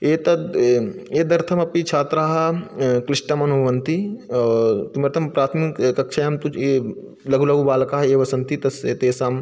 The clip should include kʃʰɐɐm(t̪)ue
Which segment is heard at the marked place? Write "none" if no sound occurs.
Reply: t̪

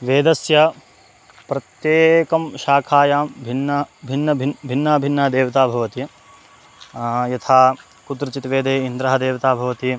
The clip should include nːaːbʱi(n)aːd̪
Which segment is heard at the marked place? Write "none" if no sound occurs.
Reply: nː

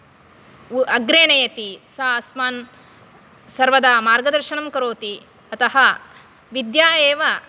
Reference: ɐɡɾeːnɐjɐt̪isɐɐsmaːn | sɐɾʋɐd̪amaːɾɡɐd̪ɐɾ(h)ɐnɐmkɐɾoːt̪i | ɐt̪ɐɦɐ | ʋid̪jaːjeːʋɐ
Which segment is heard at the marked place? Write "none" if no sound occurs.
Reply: ʃ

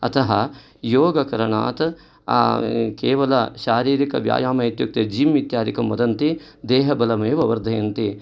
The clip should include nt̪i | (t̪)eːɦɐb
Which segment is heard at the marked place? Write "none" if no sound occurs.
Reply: d̪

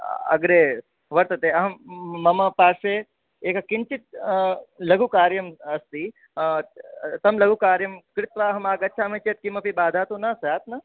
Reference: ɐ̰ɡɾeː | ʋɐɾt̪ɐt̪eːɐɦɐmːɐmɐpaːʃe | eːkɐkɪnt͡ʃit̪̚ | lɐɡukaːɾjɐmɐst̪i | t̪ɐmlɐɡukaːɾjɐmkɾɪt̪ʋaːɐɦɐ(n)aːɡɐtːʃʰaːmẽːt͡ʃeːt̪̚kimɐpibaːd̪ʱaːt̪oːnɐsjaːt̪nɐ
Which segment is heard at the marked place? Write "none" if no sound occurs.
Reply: m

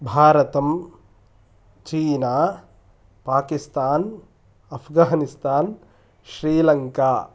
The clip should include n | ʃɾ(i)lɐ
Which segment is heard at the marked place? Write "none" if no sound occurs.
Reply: iː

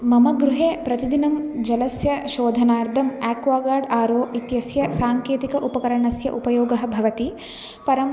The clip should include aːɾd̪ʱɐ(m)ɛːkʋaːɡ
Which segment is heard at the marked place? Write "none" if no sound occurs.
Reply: m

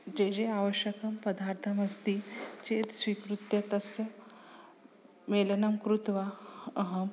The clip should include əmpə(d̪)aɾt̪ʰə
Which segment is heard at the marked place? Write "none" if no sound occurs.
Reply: d̪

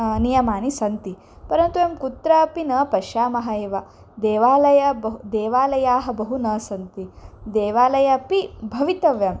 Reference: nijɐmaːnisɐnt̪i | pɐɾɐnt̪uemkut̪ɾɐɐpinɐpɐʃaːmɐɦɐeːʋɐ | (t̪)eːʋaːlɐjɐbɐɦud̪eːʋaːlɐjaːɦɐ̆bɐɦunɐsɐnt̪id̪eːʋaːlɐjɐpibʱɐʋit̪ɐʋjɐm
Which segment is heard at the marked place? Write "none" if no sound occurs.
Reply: d̪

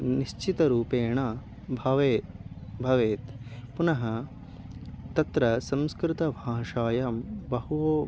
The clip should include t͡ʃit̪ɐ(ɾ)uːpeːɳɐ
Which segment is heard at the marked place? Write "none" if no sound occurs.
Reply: ɾ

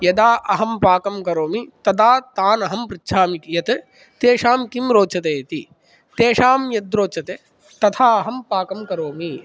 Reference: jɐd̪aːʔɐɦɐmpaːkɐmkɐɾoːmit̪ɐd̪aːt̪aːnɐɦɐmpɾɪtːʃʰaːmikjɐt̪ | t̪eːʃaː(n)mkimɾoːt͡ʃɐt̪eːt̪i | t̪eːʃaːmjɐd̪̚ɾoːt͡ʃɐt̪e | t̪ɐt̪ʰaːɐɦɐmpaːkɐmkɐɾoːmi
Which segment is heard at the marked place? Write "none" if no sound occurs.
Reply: none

